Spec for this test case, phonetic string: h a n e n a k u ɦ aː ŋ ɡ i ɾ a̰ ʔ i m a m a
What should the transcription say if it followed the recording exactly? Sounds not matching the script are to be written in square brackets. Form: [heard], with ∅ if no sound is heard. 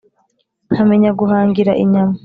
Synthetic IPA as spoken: h a [m] e [ɲ] a [ɡ] u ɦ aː ŋ ɡ i ɾ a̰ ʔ i [ɲ] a m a